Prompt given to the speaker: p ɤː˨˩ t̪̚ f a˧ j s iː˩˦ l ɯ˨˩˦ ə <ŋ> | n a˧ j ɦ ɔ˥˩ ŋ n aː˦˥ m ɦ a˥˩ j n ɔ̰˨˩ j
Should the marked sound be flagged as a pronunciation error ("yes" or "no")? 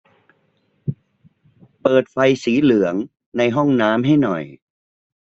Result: no